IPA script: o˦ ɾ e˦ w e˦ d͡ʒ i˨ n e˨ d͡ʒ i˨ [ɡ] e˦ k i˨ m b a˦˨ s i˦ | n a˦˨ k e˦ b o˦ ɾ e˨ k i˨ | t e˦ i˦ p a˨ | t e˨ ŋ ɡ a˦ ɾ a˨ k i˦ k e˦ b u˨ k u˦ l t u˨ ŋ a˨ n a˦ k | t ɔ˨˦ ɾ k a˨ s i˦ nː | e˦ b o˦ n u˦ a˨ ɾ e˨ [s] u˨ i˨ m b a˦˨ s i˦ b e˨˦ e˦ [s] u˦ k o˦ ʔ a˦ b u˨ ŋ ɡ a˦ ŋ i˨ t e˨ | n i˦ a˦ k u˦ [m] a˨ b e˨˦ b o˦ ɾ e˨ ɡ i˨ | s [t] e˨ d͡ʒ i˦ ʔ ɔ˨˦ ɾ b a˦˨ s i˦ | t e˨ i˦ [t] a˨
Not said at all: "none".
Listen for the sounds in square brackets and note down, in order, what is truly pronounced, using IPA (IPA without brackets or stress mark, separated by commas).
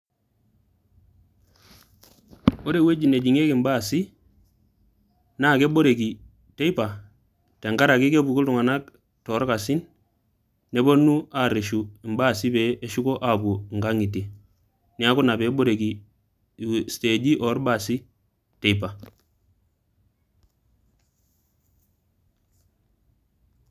ŋ, ʃ, ʃ, n, t, p